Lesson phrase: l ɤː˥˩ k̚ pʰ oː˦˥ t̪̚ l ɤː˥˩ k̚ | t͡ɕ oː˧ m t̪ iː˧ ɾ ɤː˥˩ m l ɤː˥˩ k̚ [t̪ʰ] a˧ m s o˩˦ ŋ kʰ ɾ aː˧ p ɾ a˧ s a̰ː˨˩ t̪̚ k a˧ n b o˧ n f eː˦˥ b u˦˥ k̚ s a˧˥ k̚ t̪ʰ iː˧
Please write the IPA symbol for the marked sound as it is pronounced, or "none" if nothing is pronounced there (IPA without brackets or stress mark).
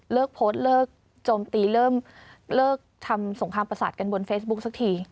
t̪ʰ